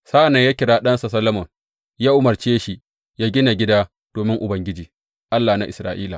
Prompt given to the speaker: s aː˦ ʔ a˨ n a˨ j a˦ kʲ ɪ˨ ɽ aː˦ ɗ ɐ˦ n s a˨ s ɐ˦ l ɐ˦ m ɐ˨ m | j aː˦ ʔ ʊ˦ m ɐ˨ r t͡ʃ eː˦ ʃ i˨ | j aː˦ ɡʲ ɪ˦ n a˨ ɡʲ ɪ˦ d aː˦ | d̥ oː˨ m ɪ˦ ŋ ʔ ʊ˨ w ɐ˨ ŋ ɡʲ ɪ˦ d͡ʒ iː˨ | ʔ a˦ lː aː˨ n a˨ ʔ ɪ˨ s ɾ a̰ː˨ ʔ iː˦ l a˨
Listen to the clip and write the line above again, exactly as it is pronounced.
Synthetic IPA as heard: s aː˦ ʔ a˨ n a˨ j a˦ kʲ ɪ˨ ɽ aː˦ ɗ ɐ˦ n s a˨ s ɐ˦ l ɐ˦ m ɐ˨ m | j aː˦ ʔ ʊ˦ m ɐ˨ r t͡ʃ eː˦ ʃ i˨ | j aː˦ ɡʲ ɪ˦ n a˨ ɡʲ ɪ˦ d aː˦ | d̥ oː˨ m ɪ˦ ŋ ʔ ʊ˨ b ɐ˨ ŋ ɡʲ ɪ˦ d͡ʒ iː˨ | ʔ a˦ lː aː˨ n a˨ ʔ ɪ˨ s ɾ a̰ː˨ ʔ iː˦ l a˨